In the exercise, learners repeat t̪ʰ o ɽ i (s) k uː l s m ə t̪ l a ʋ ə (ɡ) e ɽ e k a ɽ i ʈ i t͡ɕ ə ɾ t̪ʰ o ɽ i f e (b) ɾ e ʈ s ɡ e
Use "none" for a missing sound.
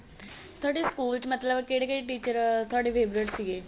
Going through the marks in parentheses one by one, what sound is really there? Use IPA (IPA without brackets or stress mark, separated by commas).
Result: s, k, b